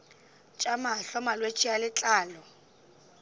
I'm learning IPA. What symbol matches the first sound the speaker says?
t͡ʃʼ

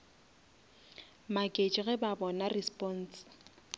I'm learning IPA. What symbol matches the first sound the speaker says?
m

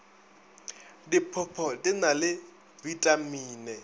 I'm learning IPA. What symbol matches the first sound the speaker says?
d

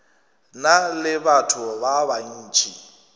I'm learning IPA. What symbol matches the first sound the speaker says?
n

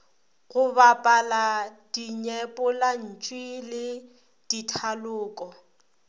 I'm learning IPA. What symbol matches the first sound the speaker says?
ɣ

